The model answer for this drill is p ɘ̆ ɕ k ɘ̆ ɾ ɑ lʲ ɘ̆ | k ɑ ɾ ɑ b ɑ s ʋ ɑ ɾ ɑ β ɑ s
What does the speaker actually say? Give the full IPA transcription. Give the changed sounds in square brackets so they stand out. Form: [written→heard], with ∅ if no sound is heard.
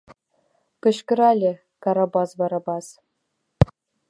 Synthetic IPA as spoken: p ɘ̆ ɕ k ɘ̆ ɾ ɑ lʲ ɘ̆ | k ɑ ɾ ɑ b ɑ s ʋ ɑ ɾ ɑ [β→b] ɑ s